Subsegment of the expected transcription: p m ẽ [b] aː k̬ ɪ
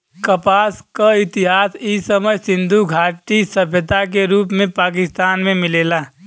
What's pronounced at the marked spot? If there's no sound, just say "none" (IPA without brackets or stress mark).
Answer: p